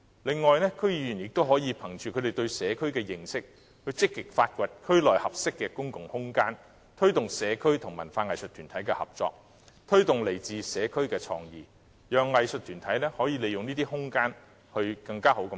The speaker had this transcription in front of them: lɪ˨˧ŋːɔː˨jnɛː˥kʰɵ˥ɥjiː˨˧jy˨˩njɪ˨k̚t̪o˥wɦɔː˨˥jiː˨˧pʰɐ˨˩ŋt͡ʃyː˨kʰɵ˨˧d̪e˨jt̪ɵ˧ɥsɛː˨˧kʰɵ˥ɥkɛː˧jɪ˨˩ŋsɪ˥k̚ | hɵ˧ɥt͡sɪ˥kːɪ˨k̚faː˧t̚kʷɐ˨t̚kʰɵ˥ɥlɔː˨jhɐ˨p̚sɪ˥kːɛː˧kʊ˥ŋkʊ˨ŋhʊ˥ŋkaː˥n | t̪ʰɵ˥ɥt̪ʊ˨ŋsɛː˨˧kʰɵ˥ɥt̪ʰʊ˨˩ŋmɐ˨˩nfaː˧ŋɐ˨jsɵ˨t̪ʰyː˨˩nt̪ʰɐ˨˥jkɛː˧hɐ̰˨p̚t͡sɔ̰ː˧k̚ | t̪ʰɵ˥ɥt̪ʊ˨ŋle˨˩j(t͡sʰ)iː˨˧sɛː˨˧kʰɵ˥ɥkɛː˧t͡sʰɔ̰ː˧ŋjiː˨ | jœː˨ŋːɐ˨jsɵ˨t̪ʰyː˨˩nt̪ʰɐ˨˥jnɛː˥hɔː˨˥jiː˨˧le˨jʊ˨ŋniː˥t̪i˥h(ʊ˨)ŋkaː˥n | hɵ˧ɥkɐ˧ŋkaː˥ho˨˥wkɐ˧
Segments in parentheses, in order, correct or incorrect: incorrect: t͡s, incorrect: ʊ˥

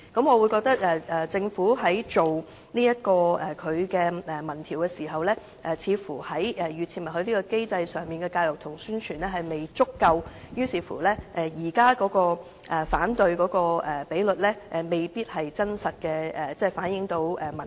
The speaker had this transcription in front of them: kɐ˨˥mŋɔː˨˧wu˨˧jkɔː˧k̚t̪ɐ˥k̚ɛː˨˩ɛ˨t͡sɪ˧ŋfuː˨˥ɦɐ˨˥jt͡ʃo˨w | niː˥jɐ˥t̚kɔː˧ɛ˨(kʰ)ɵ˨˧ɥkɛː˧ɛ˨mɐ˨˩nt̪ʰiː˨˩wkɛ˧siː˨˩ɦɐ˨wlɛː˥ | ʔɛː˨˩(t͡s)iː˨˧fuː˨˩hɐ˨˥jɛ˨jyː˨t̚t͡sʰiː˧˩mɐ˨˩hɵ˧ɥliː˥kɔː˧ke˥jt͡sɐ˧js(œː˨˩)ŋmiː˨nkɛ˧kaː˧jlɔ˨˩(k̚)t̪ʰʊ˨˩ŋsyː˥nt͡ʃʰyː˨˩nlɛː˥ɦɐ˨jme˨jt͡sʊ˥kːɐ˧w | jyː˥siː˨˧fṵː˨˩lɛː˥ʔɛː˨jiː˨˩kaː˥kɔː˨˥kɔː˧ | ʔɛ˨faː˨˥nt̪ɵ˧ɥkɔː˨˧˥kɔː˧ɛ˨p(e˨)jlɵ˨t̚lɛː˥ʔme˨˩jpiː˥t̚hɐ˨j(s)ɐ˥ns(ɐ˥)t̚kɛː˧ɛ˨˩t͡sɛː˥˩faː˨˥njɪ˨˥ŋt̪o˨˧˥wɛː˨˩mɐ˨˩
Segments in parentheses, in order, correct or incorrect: correct, incorrect: t͡sʰ, correct, correct, incorrect: e˨˥, incorrect: t͡s, incorrect: ɐ˨

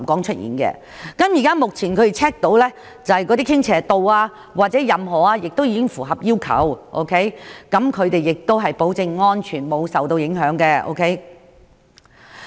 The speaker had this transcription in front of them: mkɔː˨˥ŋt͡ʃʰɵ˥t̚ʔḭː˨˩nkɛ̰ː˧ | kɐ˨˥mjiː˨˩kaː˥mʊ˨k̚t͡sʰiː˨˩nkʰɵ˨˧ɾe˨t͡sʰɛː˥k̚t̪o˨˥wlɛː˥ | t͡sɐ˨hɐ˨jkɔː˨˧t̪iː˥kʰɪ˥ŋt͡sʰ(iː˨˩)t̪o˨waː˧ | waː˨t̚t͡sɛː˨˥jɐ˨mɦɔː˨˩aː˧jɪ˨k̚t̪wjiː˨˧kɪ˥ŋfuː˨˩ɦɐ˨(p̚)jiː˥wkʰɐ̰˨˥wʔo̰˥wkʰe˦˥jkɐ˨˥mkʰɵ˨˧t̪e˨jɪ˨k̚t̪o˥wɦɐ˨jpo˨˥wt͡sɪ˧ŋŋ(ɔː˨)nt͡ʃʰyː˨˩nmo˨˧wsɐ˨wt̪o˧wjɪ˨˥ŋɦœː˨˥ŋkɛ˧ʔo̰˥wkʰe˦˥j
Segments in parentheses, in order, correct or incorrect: incorrect: ɛː˨˩, correct, incorrect: ɔː˥

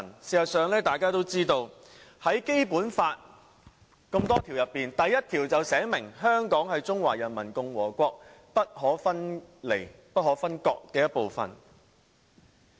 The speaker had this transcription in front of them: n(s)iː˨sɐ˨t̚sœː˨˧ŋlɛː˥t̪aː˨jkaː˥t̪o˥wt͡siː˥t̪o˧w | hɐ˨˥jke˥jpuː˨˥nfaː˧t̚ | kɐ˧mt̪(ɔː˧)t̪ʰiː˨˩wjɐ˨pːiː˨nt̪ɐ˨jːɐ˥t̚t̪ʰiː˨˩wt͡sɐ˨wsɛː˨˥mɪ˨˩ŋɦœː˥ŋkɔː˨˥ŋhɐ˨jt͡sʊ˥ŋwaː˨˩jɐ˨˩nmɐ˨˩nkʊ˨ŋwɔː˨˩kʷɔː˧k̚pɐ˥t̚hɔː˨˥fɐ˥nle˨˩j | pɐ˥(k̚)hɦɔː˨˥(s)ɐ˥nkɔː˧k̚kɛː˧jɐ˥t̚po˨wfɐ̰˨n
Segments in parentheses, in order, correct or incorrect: correct, incorrect: ɔː˥, incorrect: t̚, incorrect: f

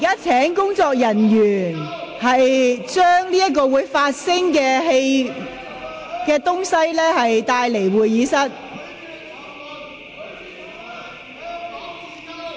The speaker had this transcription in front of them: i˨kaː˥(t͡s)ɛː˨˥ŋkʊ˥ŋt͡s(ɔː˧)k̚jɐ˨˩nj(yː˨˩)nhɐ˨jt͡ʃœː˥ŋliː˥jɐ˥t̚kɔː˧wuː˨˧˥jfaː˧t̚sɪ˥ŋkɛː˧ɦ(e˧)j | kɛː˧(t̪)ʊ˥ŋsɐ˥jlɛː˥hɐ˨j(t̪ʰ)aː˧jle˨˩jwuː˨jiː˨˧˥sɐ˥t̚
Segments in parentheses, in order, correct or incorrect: incorrect: t͡sʰ, correct, correct, correct, correct, incorrect: t̪

